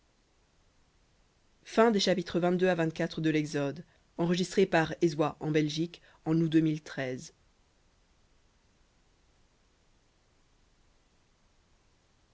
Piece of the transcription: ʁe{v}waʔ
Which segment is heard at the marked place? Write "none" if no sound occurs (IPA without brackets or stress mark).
z